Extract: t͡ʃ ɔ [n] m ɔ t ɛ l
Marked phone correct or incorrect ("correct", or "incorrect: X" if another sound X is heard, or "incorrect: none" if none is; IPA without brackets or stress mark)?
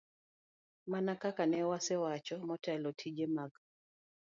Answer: incorrect: none